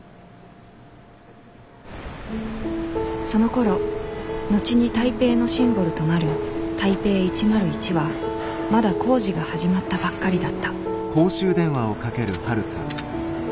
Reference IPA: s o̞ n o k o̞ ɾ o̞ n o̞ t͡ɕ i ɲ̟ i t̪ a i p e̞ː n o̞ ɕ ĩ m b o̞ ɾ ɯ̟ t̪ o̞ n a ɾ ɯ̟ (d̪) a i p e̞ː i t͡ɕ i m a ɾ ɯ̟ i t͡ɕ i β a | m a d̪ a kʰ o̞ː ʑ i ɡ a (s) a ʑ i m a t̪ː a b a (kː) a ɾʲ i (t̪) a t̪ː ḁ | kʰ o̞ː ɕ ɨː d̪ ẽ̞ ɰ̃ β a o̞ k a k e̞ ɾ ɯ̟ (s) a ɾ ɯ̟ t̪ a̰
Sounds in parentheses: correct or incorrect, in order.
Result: incorrect: t̪, incorrect: h, correct, incorrect: d̪, incorrect: h

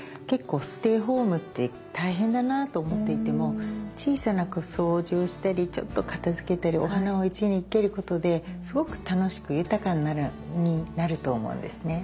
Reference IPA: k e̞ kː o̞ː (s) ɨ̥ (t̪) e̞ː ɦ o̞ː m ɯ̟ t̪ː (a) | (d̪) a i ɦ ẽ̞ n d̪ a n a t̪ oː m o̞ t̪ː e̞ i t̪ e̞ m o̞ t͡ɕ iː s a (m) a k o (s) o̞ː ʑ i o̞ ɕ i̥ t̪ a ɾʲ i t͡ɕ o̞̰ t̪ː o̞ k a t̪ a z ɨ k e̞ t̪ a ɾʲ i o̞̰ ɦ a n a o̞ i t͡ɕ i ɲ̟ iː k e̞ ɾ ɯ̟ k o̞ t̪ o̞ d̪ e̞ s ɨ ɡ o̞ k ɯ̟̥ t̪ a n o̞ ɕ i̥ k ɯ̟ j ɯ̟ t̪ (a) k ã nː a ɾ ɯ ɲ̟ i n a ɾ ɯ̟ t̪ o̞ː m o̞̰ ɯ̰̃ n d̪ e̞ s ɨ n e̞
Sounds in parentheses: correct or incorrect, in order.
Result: correct, correct, incorrect: e, incorrect: t̪, incorrect: n, correct, correct

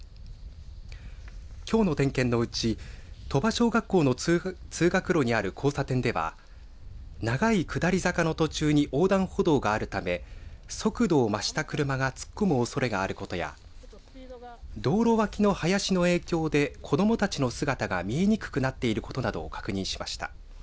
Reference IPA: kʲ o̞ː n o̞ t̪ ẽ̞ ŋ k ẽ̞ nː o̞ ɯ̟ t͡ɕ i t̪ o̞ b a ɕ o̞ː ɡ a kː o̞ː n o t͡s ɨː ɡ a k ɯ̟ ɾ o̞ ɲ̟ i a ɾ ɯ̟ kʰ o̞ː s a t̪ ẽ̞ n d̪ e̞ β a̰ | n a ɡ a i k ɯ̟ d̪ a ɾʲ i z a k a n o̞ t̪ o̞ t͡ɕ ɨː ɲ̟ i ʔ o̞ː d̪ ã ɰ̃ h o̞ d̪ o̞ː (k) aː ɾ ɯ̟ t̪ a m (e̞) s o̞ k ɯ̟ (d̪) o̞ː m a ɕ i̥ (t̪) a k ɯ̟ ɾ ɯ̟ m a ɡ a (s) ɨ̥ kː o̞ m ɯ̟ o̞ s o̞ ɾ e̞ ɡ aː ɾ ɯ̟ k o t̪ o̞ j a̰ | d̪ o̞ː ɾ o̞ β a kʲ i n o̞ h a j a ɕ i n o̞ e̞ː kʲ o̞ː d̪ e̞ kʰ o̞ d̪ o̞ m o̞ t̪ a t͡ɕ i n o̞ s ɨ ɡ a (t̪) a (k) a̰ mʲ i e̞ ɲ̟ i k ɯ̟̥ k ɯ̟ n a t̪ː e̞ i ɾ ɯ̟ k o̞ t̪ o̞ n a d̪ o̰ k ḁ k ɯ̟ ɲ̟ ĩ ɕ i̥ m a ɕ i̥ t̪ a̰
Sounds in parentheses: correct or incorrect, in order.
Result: incorrect: ɡ, correct, correct, correct, incorrect: t͡s, correct, incorrect: ɡ

